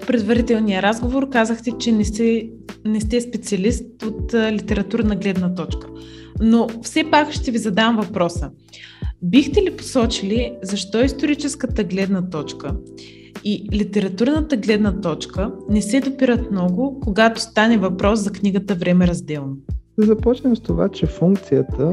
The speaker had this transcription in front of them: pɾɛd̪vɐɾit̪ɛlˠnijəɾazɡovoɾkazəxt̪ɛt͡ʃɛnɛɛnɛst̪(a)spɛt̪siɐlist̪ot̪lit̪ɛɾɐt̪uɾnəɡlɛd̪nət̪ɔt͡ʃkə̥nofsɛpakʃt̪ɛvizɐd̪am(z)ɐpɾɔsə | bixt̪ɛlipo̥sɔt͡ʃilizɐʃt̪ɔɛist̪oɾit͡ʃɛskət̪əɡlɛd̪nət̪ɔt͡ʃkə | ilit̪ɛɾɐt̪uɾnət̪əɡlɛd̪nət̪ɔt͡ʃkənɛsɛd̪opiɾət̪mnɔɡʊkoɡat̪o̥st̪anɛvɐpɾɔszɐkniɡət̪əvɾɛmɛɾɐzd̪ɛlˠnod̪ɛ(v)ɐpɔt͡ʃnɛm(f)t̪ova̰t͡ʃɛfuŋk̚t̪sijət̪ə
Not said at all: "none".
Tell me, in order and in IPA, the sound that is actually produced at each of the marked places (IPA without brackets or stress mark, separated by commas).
ɛ, v, z, s